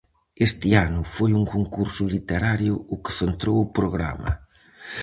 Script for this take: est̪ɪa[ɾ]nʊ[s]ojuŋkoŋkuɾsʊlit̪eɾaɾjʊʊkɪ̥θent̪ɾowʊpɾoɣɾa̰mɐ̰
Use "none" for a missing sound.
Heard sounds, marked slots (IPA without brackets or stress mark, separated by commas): none, f